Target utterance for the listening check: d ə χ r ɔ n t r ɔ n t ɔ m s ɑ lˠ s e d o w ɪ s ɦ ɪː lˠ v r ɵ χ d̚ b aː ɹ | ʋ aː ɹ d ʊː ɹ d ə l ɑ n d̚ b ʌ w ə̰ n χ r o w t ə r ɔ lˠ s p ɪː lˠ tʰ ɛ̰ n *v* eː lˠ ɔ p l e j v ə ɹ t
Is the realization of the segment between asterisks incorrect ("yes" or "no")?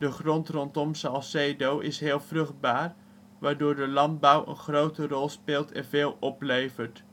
no